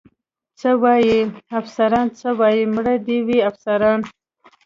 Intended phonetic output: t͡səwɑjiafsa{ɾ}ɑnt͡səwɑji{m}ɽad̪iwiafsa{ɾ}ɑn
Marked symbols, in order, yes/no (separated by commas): yes, yes, yes